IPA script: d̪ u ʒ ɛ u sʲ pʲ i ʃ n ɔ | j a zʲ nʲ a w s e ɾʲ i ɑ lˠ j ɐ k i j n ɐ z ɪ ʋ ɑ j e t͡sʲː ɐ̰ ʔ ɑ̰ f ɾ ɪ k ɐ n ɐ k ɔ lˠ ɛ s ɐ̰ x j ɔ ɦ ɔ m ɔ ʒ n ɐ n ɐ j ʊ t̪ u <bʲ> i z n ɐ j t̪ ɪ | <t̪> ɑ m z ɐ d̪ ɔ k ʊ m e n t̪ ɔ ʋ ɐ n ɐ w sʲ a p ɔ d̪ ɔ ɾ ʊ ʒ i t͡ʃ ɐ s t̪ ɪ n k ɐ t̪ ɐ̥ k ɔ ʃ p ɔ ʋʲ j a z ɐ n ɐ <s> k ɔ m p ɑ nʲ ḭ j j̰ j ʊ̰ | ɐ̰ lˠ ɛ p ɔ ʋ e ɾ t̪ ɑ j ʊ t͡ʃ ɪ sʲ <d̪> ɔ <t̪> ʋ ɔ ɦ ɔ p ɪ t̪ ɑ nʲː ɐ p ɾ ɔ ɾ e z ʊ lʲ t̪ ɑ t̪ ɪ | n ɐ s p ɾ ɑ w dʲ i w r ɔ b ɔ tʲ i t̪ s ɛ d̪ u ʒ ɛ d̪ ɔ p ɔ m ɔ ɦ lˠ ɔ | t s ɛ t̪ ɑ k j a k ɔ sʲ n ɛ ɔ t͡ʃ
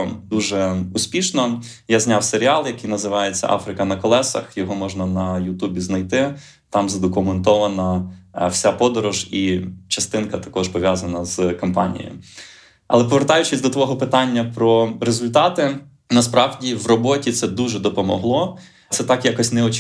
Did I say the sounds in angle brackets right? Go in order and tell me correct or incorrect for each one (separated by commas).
correct, correct, incorrect, correct, correct